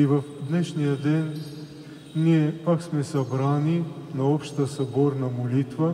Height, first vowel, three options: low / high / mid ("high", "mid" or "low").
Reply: high